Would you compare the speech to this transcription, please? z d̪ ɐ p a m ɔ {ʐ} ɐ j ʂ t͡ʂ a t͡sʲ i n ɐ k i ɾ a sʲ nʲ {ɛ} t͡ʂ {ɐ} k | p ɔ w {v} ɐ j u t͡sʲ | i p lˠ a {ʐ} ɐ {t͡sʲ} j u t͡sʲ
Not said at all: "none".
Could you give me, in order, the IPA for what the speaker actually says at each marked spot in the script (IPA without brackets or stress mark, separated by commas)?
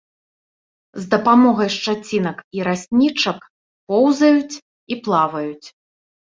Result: ɣ, i, ɐ, z, v, none